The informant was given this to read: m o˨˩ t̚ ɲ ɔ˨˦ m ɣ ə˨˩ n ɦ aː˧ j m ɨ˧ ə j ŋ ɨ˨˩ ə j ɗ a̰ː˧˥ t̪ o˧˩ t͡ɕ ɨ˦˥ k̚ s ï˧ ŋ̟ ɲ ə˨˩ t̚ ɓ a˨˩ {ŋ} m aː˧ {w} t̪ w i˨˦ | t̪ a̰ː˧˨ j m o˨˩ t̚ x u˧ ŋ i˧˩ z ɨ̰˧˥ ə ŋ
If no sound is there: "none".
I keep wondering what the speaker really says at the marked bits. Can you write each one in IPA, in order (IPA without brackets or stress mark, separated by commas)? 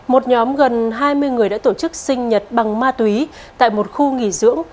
ŋ, none